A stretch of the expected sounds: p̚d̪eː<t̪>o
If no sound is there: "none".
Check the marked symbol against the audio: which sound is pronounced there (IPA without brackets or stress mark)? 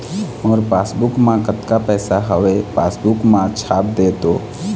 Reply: t̪